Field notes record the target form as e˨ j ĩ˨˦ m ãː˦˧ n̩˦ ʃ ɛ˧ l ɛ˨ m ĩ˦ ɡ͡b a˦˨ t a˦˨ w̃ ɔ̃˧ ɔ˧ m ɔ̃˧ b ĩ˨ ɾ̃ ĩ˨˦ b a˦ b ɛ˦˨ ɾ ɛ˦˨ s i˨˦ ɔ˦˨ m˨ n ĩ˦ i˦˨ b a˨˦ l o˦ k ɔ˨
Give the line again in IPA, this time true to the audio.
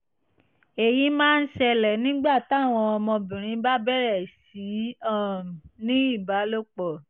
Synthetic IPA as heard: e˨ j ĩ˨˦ m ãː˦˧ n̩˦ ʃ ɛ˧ l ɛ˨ n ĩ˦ ɡ͡b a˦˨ t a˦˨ w̃ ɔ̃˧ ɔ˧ m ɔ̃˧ b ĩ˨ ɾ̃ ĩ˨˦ b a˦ b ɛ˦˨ ɾ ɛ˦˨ s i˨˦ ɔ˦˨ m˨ n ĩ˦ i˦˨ b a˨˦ l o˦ k͡p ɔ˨

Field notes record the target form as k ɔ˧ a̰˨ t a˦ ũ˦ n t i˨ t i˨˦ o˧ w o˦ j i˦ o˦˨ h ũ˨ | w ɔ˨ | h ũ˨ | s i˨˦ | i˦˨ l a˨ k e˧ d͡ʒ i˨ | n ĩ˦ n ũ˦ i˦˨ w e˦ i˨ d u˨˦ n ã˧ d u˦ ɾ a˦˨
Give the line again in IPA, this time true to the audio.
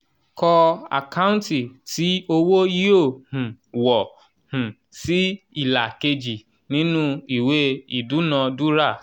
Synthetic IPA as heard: k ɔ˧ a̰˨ k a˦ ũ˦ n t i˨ t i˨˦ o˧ w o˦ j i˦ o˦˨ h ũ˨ | w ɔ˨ | h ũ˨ | s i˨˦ | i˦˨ l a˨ k e˧ d͡ʒ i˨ | n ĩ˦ n ũ˦ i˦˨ w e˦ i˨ d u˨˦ n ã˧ d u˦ ɾ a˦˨

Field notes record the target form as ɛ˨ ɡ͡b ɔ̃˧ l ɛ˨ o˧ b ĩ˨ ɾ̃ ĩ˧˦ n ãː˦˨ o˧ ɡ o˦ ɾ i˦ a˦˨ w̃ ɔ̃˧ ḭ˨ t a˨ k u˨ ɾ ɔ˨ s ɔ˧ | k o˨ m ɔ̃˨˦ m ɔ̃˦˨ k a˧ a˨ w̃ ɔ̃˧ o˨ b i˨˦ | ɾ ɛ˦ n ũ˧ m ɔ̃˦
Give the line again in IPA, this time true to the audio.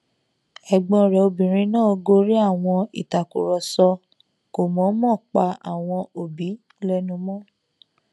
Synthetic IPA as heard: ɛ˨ ɡ͡b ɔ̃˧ ɾ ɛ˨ o˧ b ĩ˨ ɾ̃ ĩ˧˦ n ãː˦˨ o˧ ɡ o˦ ɾ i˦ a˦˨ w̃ ɔ̃˧ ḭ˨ t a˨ k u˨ ɾ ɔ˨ s ɔ˧ | k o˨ m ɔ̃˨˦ m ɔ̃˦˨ k͡p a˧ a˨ w̃ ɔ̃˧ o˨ b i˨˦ | l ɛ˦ n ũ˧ m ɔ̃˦

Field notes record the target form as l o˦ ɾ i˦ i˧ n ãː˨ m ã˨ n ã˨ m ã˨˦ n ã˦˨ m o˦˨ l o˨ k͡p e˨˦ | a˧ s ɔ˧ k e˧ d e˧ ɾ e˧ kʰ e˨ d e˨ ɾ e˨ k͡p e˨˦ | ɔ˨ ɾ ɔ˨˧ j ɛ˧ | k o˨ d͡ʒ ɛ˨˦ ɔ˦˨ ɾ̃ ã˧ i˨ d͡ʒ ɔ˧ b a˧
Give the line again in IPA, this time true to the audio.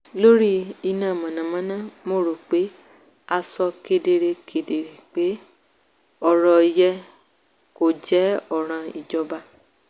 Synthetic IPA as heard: l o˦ ɾ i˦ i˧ n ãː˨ m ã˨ n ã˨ m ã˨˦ n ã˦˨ m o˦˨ ɾ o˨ k͡p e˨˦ | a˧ s ɔ˧ k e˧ d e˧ ɾ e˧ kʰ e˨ d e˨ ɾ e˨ k͡p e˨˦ | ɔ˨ ɾ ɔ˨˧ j ɛ˧ | k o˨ d͡ʒ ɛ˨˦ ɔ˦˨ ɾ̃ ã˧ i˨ d͡ʒ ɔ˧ b a˧

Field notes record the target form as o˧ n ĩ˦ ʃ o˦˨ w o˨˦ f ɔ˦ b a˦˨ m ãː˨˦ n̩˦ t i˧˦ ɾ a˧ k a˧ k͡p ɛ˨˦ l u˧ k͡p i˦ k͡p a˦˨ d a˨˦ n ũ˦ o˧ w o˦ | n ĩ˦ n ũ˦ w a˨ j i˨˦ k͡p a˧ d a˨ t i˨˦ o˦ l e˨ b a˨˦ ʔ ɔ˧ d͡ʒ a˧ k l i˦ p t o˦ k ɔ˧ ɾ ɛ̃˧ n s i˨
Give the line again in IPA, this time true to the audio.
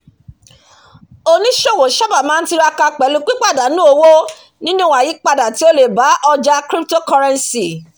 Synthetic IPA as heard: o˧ n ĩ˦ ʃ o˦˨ w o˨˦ ʃ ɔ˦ b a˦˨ m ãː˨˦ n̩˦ t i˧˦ ɾ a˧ k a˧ k͡p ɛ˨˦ l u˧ k͡p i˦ k͡p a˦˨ d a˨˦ n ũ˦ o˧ w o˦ | n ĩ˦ n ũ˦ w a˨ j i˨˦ k͡p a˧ d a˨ t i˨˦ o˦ l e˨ b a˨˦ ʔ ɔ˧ d͡ʒ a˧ k ɾ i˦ p t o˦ k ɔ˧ ɾ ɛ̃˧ n s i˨

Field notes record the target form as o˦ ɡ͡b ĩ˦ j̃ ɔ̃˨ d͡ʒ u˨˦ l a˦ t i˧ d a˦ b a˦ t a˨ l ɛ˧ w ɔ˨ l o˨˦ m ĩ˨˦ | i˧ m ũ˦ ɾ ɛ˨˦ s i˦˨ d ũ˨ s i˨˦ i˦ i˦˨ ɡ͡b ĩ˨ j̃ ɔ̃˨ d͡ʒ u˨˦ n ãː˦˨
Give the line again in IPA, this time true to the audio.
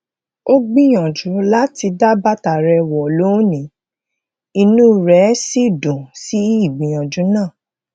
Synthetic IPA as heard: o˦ ɡ͡b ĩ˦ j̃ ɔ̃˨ d͡ʒ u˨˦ l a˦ t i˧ d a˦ b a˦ t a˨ ɾ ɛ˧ w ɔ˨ l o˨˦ n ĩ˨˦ | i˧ n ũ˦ ɾ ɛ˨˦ s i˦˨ d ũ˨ s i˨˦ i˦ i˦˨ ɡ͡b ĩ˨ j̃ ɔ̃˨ d͡ʒ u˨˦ n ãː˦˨

